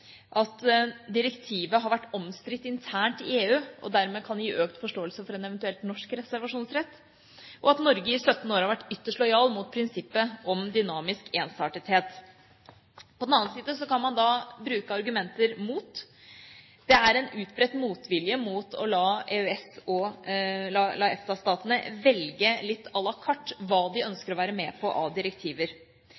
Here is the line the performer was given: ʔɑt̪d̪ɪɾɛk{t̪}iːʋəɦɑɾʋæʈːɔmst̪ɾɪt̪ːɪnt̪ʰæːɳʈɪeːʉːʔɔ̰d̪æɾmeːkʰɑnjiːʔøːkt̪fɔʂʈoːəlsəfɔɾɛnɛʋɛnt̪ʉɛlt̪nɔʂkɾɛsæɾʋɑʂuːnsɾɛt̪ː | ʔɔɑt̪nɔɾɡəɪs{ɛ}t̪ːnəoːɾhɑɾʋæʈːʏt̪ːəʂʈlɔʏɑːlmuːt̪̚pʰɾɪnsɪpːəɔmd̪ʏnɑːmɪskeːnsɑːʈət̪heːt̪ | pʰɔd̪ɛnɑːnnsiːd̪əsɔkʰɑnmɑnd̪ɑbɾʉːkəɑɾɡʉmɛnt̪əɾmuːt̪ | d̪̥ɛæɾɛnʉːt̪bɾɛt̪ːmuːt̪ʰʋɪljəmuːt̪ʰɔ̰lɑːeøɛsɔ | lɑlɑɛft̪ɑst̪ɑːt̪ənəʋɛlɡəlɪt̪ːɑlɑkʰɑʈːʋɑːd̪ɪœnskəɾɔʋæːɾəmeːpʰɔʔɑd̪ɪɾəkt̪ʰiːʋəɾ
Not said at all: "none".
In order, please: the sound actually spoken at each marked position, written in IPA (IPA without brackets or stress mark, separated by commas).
t̪ʰ, œ